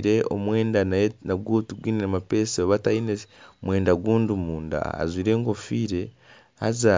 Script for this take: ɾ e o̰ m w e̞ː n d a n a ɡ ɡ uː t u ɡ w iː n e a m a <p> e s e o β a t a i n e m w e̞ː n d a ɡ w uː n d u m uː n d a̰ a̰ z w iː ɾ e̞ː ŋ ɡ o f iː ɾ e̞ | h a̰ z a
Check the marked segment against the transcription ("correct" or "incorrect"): correct